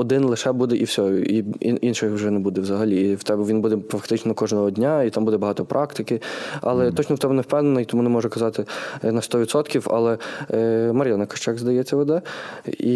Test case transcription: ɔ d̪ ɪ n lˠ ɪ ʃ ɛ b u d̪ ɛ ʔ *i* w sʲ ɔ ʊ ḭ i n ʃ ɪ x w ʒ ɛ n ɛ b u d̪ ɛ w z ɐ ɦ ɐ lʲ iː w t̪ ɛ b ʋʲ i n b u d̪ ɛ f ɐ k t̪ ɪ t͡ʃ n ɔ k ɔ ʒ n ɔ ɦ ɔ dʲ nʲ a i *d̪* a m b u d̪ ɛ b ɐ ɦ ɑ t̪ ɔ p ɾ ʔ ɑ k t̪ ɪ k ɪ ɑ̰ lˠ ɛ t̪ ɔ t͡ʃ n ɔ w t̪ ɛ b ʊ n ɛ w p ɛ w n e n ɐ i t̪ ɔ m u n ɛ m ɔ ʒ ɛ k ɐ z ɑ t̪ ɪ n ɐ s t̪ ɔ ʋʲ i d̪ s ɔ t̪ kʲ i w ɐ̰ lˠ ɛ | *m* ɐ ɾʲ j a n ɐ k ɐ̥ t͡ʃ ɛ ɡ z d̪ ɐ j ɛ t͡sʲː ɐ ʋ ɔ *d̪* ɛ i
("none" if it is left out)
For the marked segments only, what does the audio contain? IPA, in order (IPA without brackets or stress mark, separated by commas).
i, t̪, m, d̪